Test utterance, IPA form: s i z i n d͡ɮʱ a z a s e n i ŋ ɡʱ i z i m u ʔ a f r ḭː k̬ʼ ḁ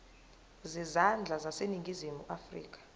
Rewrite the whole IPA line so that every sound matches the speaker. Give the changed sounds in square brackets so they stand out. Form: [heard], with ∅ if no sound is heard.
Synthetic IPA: [z] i z [a] n d͡ɮʱ a z a s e n i ŋ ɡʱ i z i m u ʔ a f r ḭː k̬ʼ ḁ